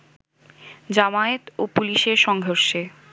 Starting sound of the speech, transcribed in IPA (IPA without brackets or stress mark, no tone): d͡ʑ